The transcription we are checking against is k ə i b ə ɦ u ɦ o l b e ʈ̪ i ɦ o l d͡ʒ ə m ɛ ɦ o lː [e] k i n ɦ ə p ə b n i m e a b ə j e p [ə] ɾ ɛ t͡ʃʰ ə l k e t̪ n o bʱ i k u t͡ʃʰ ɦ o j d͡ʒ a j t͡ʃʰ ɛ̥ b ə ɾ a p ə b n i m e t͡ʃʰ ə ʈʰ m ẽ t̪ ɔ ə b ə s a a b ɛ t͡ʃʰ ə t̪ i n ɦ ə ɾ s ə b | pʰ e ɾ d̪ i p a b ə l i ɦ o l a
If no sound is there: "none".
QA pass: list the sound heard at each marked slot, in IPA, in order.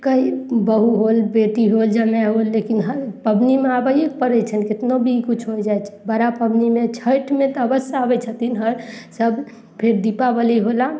e, ə

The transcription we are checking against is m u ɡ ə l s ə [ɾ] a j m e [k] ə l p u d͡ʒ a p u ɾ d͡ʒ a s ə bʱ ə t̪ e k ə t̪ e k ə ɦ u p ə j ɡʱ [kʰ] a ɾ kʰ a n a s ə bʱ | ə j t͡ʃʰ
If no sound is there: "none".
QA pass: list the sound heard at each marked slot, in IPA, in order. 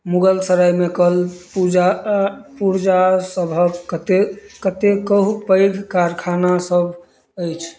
ɾ, k, k

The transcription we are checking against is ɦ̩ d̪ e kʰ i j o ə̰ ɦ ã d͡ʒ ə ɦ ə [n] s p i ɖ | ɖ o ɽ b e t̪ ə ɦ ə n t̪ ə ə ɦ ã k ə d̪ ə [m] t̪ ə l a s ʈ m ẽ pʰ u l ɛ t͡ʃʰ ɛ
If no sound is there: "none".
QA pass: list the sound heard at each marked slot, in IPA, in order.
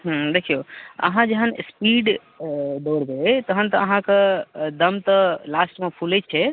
n, m

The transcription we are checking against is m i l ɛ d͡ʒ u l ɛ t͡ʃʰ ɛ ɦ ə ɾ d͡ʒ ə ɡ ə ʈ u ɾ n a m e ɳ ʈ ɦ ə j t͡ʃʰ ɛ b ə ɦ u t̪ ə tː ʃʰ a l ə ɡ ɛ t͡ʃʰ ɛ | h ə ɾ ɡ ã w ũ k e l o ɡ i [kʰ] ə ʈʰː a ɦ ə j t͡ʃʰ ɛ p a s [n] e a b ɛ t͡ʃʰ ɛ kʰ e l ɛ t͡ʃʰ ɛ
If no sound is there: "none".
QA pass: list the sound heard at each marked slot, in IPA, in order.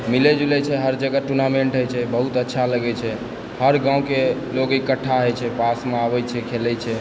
k, m

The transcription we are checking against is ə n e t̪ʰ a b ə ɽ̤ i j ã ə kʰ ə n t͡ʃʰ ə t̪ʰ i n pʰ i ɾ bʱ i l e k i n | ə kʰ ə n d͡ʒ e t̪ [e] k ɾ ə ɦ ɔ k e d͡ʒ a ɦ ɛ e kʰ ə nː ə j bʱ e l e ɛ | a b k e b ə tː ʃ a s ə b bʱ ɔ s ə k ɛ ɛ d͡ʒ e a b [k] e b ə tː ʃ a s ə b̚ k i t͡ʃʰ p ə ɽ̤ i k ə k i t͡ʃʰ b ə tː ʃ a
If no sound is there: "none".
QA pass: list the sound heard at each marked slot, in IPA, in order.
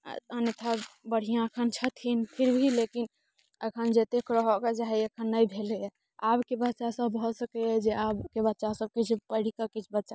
e, k

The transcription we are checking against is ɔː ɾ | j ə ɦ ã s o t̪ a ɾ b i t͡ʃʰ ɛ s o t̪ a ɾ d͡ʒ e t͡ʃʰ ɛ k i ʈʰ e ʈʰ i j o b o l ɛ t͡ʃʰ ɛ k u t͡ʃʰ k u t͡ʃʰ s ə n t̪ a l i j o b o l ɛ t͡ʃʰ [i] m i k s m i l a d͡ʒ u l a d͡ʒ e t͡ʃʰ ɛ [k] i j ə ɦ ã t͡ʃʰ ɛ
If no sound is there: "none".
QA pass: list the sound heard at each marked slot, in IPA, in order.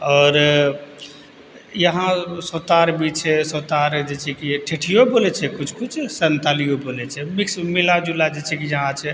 ɛ, k

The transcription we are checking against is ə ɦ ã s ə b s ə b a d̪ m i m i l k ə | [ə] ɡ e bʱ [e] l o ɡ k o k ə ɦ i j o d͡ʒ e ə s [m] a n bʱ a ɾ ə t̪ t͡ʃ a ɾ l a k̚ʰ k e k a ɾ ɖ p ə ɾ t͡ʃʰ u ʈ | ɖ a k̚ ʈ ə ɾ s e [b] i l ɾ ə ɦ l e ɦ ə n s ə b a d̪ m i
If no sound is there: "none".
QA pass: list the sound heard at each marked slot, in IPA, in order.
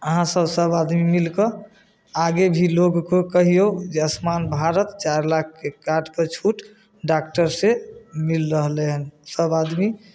a, i, m, m

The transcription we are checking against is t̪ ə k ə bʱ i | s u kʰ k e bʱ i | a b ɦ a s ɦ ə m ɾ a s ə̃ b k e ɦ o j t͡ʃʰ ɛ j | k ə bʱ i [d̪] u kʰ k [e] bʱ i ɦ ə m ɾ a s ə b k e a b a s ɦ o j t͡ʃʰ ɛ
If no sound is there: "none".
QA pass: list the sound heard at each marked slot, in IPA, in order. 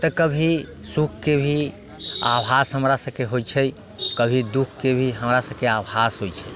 d̪, e

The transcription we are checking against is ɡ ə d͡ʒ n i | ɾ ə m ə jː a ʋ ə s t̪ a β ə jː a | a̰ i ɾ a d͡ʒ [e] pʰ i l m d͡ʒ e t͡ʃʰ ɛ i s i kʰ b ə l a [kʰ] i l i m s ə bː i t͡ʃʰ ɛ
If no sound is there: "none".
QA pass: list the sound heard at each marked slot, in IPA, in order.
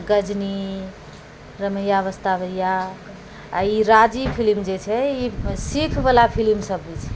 i, pʰ

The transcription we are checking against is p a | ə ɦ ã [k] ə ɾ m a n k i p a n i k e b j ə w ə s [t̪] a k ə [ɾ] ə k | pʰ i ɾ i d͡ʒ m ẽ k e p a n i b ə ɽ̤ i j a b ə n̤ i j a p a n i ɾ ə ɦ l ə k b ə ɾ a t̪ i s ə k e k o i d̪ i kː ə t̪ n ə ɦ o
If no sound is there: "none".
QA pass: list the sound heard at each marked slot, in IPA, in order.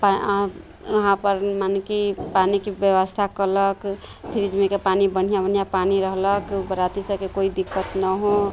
p, t̪ʰ, l

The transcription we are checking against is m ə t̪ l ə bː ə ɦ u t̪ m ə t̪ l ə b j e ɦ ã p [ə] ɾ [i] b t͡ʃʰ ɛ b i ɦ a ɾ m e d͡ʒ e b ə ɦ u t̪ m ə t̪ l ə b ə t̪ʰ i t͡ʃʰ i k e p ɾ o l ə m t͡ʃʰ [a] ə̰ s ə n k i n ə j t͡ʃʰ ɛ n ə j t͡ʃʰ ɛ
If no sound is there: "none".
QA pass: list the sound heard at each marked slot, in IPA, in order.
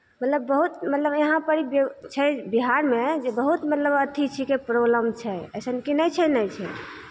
ə, i, ɛ

